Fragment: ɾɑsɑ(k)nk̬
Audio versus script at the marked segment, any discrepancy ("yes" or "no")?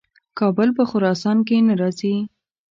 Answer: yes